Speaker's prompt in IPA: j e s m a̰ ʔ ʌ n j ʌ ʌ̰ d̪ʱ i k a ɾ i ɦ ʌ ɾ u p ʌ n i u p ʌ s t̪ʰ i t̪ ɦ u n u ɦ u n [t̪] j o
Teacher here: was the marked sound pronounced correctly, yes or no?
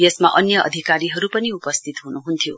no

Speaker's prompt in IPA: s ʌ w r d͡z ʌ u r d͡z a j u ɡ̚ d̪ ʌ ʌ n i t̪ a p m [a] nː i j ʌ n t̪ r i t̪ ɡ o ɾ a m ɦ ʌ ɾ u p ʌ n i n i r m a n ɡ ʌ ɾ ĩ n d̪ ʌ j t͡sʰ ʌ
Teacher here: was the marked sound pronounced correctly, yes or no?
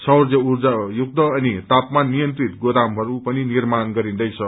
yes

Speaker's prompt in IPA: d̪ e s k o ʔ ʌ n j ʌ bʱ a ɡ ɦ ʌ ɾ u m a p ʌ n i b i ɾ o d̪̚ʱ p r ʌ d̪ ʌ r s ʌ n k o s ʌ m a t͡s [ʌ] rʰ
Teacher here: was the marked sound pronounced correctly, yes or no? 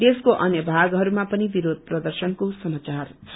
no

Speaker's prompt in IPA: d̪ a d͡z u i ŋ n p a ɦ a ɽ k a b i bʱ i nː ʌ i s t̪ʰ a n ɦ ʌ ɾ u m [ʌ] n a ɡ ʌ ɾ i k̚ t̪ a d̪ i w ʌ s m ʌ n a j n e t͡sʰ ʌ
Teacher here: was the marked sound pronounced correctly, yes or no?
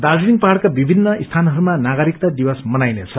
no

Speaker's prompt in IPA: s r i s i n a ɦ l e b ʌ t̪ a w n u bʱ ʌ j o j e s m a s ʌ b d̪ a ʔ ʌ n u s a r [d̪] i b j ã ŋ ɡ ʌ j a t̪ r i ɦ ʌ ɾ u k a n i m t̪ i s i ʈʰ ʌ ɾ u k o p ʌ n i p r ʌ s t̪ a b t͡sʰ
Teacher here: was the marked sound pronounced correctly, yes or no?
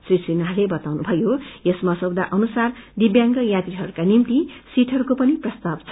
yes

